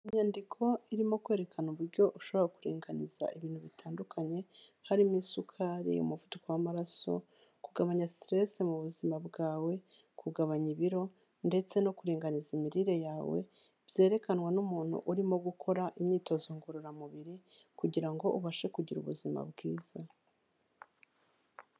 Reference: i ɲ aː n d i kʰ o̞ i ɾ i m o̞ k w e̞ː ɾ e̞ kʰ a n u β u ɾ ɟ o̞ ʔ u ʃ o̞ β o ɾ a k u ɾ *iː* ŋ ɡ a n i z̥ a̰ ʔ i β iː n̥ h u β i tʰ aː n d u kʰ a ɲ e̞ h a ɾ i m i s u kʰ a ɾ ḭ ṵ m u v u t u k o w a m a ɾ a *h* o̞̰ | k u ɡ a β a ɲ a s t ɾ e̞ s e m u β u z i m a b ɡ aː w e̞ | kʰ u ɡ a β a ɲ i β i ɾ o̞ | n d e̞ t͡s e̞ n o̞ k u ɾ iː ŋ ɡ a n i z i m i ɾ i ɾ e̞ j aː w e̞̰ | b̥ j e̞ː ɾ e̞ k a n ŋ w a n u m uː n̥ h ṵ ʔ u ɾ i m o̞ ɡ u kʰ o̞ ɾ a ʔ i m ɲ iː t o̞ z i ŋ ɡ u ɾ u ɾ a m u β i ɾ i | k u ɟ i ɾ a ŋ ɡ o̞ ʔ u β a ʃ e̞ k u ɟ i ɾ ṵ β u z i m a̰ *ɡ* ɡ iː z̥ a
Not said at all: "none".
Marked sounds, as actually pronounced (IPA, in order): iː, s, b

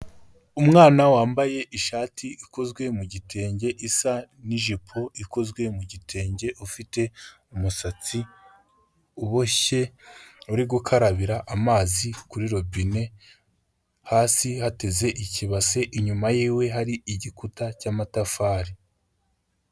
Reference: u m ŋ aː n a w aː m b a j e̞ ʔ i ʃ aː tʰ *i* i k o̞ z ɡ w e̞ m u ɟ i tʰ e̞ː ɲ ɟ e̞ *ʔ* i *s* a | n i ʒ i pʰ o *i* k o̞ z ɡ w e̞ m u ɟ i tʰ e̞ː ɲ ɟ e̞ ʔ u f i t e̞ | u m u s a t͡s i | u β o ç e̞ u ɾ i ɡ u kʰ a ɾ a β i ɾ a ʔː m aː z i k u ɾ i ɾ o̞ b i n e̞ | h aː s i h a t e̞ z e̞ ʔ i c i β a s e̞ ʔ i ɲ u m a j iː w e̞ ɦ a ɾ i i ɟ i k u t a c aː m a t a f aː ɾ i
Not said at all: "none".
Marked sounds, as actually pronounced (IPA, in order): i, ʔ, s, i

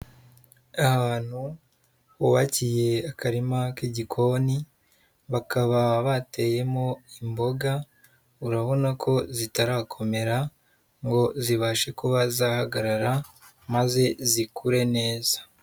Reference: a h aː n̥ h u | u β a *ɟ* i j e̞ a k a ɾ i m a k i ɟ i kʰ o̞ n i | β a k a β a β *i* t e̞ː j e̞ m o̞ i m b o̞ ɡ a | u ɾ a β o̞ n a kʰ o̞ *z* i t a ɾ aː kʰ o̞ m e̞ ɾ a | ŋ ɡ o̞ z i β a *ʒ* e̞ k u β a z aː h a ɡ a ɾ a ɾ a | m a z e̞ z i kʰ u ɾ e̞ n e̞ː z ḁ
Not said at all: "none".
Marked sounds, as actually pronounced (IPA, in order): c, a, z, ʃ

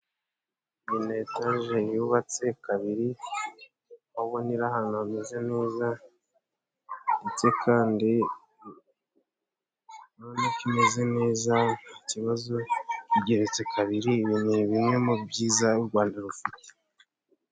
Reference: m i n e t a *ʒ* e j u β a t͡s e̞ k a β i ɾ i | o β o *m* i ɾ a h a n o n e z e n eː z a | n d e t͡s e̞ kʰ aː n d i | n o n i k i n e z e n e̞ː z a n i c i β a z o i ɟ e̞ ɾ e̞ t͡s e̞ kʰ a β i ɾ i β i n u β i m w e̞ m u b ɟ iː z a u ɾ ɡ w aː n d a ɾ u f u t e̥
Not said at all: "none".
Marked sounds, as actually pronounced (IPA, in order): ʒ, n

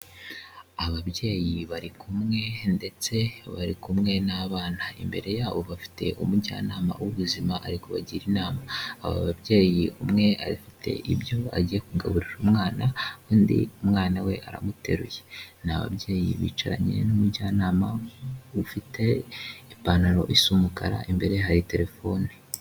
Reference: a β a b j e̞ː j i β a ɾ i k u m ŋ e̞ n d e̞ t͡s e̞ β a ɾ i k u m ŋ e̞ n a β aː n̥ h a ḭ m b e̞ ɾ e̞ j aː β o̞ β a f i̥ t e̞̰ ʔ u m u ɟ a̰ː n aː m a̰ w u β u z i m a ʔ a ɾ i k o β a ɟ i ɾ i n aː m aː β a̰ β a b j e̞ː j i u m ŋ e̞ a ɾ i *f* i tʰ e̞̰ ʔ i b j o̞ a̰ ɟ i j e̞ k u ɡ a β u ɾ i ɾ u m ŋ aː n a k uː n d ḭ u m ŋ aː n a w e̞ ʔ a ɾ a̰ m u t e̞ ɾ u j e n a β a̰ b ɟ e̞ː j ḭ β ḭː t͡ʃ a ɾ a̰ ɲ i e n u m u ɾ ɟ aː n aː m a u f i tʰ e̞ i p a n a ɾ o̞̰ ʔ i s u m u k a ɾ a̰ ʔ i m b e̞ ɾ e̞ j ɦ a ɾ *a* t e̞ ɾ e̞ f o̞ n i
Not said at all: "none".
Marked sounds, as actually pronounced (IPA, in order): f, i

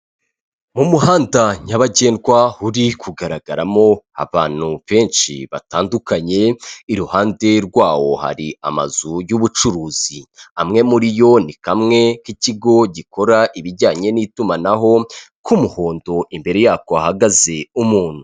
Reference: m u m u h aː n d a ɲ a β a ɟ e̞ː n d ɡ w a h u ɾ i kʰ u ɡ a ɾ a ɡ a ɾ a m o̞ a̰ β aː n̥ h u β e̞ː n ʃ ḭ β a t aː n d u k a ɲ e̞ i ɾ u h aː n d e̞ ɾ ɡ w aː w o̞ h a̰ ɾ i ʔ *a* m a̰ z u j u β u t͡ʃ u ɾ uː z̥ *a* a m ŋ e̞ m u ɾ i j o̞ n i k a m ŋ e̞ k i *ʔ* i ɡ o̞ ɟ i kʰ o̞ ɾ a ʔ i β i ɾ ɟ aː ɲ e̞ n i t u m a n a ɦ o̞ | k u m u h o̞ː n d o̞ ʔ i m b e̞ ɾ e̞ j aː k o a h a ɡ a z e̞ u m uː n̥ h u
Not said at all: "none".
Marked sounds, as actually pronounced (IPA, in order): a, i, c

